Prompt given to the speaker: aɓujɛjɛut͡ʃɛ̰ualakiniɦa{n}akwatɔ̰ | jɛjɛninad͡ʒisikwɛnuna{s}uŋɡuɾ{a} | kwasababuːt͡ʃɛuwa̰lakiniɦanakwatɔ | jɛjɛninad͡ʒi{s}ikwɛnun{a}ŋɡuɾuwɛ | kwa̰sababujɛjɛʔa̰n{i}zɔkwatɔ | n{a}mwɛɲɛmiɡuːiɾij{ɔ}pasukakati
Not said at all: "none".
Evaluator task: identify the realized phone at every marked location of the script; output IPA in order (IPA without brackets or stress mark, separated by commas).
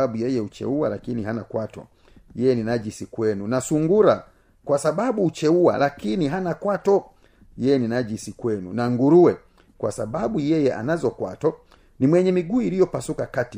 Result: n, s, a, s, a, a, i, ɔ